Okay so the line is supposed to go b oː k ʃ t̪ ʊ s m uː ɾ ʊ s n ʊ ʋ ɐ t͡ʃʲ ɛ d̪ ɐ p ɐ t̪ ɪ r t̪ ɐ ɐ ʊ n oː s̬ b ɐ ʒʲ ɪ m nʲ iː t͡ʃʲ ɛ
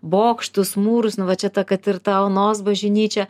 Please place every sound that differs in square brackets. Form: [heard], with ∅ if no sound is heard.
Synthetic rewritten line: b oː k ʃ t̪ ʊ s m uː ɾ ʊ s n ʊ ʋ ɐ t͡ʃʲ ɛ [t̪] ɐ [k] ɐ t̪ ɪ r t̪ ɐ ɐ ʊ n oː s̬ b ɐ ʒʲ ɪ [∅] nʲ iː t͡ʃʲ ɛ